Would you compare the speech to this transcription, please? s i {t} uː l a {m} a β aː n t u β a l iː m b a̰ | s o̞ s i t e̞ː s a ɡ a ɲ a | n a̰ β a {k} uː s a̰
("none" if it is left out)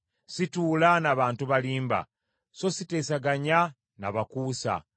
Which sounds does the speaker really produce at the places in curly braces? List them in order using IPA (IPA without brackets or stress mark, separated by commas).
t, n, k